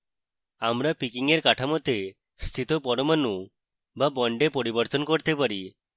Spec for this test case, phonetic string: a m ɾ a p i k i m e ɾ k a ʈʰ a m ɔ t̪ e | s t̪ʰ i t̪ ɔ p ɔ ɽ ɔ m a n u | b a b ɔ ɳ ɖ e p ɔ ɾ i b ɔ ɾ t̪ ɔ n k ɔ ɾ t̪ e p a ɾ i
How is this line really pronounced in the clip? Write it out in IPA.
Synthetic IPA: a m ɾ a p i k i ŋ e ɾ k a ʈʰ a m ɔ t̪ e | s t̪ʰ i t̪ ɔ p ɔ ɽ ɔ m a n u | b a b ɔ ɳ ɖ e p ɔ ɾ i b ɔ ɾ t̪ ɔ n k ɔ ɾ t̪ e p a ɾ i